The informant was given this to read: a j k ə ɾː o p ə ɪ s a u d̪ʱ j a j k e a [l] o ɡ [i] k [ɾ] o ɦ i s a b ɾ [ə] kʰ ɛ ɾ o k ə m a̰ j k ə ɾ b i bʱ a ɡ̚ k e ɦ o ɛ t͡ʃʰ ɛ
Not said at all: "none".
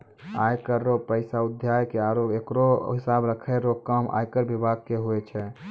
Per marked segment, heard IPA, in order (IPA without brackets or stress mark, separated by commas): ɾ, e, ɾ, ə